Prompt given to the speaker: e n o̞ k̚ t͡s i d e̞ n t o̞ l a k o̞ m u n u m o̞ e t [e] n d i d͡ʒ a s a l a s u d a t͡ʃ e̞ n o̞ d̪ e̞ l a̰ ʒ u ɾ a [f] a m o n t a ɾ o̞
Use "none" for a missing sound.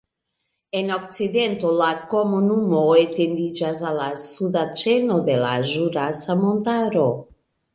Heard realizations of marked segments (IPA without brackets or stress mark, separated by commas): e, s